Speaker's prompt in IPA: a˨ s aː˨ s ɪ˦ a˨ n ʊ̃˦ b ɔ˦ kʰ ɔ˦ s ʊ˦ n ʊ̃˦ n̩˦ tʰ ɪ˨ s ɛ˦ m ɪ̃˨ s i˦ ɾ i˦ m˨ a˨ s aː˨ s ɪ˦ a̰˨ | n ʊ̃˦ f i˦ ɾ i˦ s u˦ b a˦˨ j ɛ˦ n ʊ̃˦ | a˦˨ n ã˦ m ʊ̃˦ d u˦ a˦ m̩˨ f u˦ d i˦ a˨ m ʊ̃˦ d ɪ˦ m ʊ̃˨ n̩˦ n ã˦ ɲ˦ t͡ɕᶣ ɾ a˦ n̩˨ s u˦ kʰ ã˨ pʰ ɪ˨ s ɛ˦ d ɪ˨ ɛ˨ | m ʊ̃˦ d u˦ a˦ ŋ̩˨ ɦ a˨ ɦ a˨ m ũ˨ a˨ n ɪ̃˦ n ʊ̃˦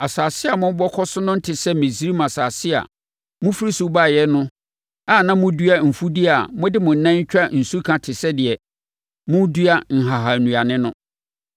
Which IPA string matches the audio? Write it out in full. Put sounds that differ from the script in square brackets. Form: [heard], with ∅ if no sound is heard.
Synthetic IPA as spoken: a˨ s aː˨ s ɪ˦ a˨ [m] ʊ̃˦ b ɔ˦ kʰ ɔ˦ s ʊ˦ n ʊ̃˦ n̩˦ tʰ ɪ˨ s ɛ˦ m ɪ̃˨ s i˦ ɾ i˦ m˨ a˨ s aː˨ s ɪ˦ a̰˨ | [m] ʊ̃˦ f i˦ ɾ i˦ s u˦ b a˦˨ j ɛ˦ n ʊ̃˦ | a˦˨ n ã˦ m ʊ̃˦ d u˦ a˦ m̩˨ f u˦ d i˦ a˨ m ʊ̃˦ d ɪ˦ m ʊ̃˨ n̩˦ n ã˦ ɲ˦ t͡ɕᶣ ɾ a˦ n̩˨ s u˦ kʰ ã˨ [tʰ] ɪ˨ s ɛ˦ d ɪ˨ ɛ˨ | m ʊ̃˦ d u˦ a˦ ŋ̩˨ ɦ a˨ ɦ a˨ [n] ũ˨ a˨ n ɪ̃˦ n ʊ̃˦